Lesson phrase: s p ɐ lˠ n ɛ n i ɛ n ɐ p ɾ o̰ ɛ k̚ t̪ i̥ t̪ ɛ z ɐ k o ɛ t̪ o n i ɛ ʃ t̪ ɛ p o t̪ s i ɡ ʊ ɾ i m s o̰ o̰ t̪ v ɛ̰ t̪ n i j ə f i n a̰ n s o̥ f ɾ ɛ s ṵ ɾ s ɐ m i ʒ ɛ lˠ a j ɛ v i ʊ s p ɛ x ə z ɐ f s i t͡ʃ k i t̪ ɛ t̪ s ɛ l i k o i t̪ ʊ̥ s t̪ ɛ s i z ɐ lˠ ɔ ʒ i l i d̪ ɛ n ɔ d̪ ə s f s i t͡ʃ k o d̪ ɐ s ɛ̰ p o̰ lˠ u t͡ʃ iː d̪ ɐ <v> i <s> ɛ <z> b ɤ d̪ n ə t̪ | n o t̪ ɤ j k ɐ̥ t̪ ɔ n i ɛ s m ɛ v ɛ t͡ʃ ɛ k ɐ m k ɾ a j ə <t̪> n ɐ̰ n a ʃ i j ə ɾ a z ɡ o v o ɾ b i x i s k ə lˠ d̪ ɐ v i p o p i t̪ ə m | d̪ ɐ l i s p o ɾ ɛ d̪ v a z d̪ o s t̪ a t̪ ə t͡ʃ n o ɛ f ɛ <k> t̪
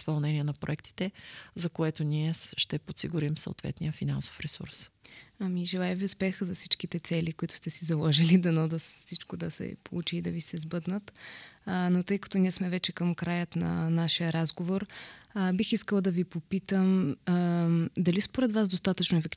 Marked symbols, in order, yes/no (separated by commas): yes, yes, yes, yes, yes